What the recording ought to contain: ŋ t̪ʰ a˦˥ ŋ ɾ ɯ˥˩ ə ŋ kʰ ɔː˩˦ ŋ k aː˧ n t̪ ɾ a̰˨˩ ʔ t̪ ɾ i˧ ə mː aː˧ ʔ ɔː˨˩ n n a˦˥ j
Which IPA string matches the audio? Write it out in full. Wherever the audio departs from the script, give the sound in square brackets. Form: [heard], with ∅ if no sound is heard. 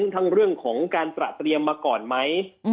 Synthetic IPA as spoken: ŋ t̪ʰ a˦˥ ŋ ɾ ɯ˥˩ ə ŋ kʰ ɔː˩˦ ŋ k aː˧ n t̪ ɾ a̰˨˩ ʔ t̪ ɾ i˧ ə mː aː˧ [k] ɔː˨˩ n [m] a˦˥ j